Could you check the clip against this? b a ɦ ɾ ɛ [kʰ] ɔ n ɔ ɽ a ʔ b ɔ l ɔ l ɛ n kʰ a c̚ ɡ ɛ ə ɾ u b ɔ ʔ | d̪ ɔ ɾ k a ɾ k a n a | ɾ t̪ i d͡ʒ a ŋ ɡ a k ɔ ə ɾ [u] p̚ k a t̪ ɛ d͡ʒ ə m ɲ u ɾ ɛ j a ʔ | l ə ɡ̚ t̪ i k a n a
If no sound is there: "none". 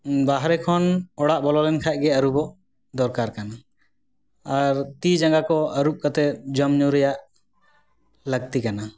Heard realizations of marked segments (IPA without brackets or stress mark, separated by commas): kʰ, u